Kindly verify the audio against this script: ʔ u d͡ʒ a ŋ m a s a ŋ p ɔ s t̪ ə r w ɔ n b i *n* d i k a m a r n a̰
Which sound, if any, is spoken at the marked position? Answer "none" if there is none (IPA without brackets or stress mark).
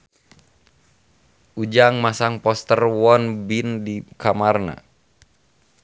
n